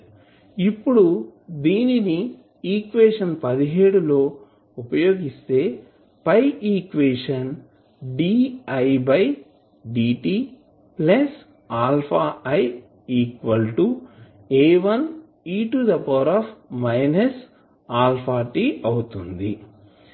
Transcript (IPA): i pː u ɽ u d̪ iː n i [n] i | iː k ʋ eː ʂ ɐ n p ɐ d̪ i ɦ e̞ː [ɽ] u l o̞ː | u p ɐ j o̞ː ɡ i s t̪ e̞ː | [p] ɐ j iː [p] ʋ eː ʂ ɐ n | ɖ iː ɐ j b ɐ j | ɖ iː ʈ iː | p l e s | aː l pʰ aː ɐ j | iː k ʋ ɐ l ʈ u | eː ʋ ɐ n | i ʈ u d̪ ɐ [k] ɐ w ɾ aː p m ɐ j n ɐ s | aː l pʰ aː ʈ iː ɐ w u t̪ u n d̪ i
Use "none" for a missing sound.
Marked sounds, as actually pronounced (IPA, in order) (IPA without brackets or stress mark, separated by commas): n, ɽ, p, k, p